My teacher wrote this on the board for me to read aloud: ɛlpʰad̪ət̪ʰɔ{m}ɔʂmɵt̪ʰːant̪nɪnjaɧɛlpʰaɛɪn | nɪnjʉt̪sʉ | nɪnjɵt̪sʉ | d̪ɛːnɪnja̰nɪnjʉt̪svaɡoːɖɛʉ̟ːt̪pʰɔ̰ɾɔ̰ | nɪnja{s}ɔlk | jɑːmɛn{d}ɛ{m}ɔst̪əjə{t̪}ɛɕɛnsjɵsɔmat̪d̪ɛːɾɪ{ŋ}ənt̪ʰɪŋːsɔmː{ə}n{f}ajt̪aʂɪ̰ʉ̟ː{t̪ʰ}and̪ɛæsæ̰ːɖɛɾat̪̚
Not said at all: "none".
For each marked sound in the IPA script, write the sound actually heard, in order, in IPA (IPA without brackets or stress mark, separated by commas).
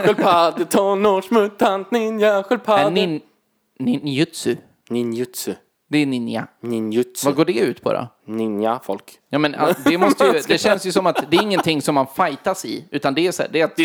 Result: n, f, d, m, d̪, ŋː, a, f, t̪